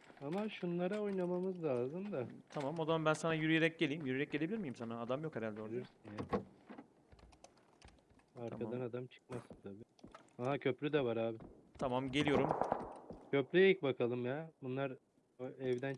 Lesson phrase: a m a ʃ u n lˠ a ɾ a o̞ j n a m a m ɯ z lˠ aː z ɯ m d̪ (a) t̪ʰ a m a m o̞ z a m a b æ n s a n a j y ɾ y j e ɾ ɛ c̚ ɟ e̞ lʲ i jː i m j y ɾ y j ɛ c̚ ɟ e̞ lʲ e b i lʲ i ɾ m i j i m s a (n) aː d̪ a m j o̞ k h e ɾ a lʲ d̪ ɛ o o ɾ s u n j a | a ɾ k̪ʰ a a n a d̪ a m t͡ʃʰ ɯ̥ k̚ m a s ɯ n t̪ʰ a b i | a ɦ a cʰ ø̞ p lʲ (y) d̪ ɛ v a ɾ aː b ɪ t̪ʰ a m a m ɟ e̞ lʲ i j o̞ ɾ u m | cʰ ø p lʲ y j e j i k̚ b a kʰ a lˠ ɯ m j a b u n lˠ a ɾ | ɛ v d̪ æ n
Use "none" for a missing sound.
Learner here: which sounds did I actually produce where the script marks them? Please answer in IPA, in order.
a, n, y

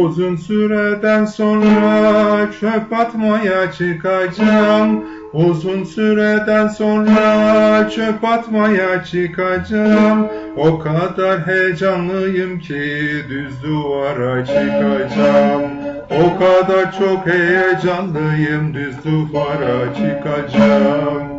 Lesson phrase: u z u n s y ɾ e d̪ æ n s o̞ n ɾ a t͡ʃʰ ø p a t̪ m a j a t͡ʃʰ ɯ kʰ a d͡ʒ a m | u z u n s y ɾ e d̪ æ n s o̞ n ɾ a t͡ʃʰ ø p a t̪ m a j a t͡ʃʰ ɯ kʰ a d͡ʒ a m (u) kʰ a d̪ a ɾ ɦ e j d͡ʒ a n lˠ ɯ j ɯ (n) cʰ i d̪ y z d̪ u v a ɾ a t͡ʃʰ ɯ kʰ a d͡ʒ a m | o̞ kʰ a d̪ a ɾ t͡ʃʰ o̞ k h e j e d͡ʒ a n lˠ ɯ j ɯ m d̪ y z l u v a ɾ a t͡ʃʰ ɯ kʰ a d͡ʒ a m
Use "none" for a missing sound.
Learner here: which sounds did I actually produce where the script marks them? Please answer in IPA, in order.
o, m

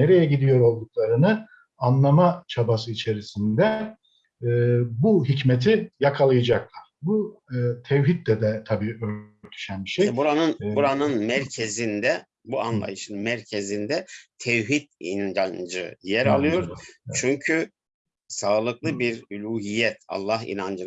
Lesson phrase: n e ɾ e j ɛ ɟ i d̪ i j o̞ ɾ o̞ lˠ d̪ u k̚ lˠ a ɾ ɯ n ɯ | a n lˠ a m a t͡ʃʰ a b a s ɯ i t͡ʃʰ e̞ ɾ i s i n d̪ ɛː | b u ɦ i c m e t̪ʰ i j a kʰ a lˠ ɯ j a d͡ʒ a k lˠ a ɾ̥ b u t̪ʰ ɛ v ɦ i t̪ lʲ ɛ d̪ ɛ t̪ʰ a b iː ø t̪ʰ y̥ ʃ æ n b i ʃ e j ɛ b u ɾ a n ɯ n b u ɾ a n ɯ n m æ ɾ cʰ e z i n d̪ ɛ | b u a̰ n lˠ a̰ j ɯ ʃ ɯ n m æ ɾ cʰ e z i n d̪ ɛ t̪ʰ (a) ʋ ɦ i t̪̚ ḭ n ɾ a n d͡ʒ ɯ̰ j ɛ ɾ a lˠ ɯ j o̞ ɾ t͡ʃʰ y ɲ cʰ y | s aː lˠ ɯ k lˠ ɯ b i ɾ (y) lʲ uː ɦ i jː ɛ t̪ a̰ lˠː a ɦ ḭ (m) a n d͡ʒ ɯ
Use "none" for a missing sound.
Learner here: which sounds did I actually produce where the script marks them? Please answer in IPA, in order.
ɛ, y, n

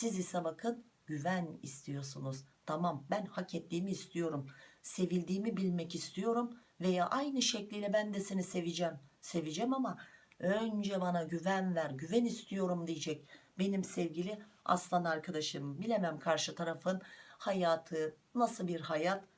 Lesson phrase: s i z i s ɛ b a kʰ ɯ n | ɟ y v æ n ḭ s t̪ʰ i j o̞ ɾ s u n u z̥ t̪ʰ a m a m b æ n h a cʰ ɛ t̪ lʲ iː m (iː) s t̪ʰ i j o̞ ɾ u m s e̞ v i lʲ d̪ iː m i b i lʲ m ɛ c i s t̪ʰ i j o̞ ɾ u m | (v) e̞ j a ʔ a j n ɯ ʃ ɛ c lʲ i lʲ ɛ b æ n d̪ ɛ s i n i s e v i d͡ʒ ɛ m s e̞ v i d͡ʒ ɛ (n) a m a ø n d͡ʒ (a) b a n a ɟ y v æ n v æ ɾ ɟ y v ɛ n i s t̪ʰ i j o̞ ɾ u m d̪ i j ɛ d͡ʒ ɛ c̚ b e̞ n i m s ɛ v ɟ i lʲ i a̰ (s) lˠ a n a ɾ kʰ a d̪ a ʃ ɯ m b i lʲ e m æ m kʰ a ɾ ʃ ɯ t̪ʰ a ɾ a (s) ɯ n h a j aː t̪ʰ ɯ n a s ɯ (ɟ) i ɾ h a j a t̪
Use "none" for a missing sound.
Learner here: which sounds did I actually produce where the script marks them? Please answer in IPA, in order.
iː, v, m, ɛ, s, f, b

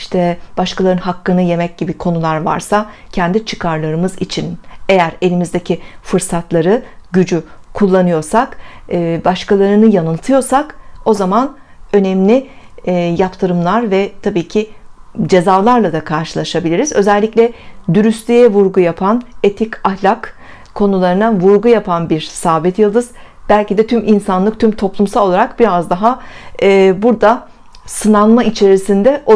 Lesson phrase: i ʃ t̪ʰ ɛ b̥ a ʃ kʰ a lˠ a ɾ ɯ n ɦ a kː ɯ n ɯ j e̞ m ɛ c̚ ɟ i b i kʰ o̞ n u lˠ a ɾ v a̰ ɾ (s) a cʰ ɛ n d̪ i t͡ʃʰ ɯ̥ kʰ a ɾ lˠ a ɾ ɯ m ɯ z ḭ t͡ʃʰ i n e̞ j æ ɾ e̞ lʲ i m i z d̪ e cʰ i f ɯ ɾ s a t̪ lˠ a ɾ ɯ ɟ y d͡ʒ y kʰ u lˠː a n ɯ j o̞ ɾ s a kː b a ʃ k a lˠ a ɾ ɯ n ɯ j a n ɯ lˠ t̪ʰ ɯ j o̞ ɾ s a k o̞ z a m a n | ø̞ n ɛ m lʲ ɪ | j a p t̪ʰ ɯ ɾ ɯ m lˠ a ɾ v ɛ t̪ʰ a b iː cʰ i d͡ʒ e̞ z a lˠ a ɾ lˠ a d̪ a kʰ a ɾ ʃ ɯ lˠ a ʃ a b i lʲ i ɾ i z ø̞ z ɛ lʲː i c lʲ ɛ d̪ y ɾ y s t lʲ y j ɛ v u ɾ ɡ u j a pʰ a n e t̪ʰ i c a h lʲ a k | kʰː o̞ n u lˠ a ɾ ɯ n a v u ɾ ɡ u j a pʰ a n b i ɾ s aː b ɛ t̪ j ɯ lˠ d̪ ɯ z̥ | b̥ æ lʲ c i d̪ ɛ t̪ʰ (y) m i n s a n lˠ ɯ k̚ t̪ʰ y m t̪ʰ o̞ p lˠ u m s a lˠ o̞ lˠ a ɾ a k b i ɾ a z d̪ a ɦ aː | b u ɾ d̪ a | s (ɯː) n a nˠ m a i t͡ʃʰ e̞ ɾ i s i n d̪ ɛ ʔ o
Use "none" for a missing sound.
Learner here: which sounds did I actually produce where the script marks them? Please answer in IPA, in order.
s, y, ɯ

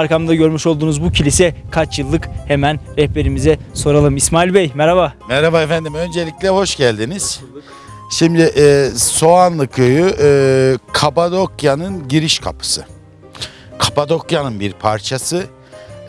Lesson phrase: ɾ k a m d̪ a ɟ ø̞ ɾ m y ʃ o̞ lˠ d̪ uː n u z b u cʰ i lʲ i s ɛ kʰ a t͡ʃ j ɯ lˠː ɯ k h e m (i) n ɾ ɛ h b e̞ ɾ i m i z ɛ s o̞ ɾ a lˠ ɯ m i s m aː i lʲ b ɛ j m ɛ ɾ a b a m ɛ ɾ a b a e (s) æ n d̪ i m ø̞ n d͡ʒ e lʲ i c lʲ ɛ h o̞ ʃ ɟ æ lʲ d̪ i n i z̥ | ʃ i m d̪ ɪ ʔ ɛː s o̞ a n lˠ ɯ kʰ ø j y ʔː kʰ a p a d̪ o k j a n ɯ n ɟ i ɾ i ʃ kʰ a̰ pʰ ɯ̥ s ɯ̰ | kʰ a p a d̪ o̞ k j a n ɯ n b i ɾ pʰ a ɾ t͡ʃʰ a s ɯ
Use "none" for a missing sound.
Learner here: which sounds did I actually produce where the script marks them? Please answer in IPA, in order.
æ, f

